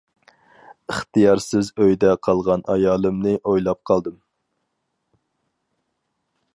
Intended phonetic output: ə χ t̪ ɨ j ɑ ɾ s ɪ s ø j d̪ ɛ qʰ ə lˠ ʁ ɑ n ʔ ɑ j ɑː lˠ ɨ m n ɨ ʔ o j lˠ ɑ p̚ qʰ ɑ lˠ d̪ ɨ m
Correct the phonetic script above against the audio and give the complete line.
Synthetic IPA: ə χ t̪ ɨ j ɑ ɾ s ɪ z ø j d̪ ɛ qʰ ɑ lˠ ʁ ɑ n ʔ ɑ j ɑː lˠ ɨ m n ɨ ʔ o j lˠ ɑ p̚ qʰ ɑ lˠ d̪ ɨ m